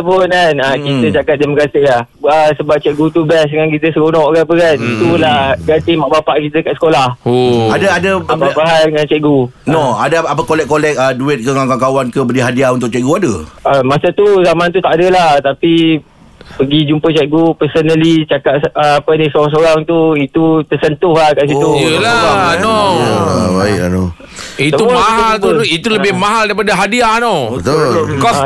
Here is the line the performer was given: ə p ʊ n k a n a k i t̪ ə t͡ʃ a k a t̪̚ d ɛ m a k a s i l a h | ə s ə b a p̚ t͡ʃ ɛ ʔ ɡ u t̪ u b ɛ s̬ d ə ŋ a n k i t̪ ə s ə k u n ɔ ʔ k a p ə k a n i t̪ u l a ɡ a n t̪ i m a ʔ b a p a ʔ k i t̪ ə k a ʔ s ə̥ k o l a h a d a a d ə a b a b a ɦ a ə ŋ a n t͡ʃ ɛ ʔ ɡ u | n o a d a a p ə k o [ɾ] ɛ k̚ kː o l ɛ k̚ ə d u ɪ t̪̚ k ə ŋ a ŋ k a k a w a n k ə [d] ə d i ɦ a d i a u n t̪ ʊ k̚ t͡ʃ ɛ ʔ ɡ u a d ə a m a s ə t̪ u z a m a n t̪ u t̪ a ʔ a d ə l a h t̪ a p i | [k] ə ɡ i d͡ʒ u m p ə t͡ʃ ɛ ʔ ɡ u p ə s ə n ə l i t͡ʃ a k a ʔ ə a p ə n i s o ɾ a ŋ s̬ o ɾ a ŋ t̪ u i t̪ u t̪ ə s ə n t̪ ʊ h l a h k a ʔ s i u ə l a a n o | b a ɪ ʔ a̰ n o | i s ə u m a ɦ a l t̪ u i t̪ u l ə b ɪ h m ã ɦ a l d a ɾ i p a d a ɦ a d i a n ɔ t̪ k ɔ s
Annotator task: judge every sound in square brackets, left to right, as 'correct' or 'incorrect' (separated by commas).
incorrect, incorrect, incorrect